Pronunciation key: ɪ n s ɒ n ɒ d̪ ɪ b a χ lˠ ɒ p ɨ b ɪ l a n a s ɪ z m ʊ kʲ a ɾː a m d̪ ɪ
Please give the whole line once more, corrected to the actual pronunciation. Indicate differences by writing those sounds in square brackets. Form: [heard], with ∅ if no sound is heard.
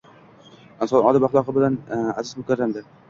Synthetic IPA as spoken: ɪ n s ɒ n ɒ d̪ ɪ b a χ lˠ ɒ [q] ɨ b ɪ l a n a [z] ɪ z m ʊ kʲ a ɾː a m d̪ ɪ